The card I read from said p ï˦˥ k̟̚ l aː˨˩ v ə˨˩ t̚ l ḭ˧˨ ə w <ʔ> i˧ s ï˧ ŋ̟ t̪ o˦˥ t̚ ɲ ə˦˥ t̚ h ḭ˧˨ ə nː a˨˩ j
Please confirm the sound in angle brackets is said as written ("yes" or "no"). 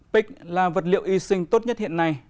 yes